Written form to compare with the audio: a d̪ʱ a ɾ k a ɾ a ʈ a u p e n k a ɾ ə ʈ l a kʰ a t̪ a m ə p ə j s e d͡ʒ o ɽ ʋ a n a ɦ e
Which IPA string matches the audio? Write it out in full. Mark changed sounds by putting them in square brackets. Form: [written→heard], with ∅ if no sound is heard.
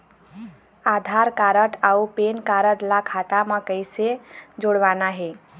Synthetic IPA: a d̪ʱ a ɾ k a ɾ [a→ə] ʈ a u p e n k a ɾ ə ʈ l a kʰ a t̪ a m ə [p→k] ə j s e d͡ʒ o ɽ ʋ a n a ɦ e